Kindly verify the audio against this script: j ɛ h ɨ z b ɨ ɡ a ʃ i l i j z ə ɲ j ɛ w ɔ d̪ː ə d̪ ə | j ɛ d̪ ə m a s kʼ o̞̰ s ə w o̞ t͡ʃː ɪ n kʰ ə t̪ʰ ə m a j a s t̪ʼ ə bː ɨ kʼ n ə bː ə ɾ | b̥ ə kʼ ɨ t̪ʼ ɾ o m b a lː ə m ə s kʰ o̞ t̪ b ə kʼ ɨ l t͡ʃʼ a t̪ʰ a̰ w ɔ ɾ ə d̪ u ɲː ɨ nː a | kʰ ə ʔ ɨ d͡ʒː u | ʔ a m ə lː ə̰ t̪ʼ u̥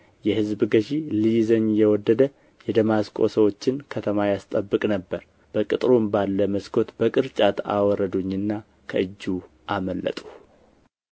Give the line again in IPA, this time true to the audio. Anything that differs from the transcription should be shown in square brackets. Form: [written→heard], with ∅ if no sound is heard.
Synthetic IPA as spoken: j ɛ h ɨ z b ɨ ɡ [a→ə] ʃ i l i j z ə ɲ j ɛ w ɔ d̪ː ə d̪ ə | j ɛ d̪ ə m a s kʼ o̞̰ s ə w o̞ t͡ʃː ɪ n kʰ ə t̪ʰ ə m a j a s t̪ʼ ə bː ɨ kʼ n ə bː ə ɾ | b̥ ə kʼ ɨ t̪ʼ ɾ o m b a lː ə m ə s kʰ o̞ t̪ b ə kʼ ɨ [l→ɾ] t͡ʃʼ a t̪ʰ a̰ w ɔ ɾ ə d̪ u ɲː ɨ nː a | kʰ ə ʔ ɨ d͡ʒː u | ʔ a m ə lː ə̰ t̪ʼ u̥